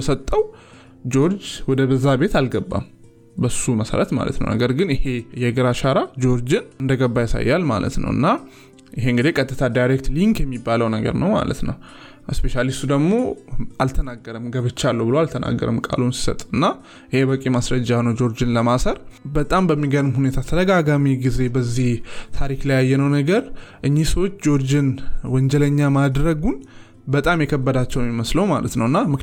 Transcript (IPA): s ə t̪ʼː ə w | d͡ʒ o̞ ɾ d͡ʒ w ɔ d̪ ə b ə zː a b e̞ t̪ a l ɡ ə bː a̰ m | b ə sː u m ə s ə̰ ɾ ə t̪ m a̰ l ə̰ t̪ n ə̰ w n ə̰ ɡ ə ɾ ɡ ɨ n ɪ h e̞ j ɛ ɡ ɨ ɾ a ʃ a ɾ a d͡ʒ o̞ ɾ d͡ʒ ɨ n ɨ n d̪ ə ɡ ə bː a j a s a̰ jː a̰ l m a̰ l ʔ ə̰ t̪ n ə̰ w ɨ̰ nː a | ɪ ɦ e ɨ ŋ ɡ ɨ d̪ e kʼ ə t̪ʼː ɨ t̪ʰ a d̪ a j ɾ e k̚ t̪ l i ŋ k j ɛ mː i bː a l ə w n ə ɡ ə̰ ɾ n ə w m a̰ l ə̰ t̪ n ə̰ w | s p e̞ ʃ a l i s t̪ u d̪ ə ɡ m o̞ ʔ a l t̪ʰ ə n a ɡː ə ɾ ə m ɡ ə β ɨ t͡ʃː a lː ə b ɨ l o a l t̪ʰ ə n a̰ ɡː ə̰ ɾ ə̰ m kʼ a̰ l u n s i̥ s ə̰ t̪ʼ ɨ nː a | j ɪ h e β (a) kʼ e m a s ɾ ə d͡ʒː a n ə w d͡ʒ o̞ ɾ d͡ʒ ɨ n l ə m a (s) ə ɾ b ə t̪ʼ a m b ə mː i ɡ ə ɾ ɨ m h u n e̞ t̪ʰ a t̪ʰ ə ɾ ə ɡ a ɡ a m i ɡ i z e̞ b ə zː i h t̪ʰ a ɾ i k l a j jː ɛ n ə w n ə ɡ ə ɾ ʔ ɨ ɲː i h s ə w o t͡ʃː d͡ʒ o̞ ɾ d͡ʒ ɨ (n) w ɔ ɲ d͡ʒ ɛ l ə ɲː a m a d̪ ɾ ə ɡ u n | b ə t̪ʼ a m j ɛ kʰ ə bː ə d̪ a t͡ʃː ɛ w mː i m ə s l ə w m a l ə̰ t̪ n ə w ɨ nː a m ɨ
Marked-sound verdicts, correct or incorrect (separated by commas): incorrect, correct, correct